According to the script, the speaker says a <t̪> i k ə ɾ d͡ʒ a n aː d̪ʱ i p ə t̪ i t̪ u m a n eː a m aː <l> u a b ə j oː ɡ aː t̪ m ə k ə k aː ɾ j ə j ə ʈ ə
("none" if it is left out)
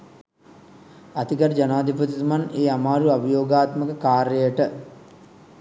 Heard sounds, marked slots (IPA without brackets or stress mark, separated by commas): t̪, ɾ